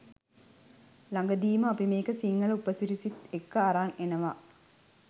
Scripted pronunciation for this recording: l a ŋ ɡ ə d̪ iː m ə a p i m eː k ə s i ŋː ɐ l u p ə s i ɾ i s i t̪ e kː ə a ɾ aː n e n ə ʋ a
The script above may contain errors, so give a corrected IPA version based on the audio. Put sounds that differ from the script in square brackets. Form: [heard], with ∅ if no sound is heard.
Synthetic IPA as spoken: l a ŋ ɡ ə d̪ iː m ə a p i m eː k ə s i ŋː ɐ l u p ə s i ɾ i s i t̪ e kː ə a ɾ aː n e n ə ʋ a